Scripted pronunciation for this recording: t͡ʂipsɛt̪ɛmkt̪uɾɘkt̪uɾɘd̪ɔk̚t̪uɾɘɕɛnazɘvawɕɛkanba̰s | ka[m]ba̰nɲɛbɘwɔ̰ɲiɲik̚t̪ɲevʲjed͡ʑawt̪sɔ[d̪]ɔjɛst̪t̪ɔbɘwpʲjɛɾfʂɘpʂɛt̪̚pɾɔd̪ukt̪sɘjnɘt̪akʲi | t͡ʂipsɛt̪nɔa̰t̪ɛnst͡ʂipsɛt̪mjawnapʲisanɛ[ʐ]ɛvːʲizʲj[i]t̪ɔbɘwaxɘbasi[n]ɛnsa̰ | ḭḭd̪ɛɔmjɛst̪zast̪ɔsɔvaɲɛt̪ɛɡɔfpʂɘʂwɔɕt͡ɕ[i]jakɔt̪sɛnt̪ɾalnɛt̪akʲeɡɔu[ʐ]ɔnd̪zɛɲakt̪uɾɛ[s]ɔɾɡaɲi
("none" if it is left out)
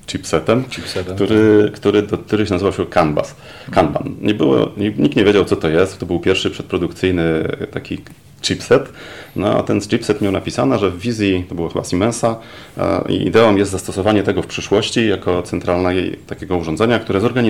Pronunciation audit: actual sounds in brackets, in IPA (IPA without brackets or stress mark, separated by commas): n, t̪, ʐ, i, m, i, ʐ, z